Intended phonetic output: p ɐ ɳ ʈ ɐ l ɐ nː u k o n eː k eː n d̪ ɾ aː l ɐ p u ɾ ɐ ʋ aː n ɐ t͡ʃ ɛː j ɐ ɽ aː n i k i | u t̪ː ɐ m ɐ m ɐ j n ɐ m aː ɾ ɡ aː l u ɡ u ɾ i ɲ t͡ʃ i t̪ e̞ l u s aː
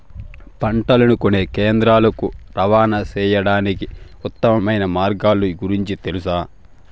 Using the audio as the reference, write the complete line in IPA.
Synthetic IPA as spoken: p ɐ ɳ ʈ ɐ l ɐ n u k o n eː k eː n d̪ ɾ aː l ɐ k u ɾ ɐ ʋ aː n ɐ t͡ʃ ɛː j ɐ ɽ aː n i k i | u t̪ː ɐ m ɐ m ɐ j n ɐ m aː ɾ ɡ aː l u ɡ u ɾ i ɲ t͡ʃ i t̪ e̞ l u s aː